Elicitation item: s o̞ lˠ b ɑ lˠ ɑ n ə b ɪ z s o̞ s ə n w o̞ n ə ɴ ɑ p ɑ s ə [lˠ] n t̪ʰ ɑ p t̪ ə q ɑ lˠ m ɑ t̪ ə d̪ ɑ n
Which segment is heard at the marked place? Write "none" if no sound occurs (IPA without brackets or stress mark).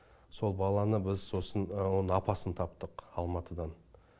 none